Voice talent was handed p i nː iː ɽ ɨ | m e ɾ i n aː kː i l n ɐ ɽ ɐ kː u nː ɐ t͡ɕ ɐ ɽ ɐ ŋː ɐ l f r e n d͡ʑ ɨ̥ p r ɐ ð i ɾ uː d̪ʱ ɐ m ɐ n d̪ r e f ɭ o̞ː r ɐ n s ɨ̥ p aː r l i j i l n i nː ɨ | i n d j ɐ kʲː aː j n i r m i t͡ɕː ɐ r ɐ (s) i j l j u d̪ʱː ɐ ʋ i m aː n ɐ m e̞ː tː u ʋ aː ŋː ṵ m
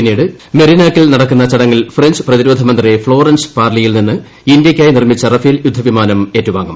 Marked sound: incorrect: f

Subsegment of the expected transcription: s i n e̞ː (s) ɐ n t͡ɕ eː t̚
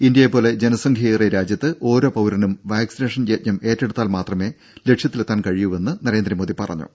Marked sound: incorrect: ʂ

